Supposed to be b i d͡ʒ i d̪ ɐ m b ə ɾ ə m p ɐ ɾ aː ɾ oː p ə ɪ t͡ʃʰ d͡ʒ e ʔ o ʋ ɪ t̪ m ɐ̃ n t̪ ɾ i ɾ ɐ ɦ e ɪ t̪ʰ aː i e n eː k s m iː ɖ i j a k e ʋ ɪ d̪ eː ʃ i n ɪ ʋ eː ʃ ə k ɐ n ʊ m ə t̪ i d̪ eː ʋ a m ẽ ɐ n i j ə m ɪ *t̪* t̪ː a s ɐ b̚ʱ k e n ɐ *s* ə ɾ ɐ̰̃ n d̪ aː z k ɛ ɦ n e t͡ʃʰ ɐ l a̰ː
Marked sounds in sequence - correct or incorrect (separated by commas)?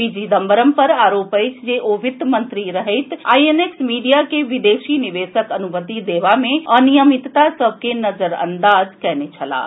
correct, incorrect